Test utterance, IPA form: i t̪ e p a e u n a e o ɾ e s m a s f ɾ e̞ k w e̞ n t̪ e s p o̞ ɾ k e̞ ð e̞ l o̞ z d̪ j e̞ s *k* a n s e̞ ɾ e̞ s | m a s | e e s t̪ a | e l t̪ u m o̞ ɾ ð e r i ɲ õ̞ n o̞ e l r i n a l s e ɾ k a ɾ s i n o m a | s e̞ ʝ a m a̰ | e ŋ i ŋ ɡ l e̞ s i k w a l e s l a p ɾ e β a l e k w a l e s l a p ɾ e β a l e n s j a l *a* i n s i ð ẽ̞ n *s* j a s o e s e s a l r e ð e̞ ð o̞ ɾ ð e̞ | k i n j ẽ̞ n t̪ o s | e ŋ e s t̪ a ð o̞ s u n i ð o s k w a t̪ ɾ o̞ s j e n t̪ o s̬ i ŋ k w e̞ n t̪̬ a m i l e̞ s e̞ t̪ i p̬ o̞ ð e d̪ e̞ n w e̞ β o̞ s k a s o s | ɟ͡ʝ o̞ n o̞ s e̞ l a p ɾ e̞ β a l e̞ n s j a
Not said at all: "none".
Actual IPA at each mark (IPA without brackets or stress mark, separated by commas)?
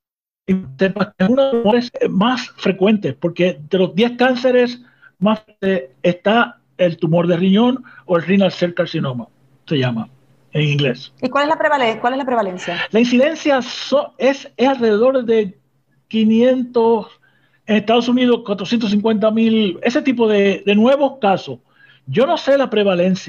k, a, s